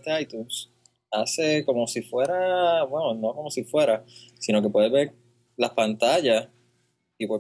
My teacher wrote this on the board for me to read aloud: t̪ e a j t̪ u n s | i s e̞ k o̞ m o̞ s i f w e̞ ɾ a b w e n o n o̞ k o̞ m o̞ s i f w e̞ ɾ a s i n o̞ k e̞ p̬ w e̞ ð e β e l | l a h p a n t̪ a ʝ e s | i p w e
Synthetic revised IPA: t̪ e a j t̪ u n s | a s e̞ k o̞ m o̞ s i f w e̞ ɾ a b w e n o n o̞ k o̞ m o̞ s i f w e̞ ɾ a s i n o̞ k e̞ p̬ w e̞ ð e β e ɾ | l a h p a n t̪ a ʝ a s | i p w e